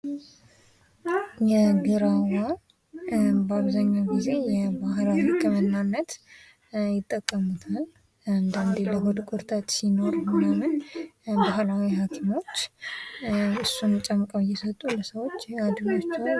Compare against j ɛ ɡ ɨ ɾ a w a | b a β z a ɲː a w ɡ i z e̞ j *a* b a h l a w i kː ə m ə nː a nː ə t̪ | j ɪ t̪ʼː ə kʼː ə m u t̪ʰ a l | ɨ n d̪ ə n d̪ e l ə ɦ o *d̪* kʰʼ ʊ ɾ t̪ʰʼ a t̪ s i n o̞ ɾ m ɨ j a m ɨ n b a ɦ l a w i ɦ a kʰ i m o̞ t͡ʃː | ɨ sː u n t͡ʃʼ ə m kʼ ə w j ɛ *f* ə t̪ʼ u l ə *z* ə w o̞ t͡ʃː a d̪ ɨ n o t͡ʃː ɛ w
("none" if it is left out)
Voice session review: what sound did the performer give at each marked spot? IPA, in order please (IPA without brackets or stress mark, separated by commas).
ɛ, d̪, s, s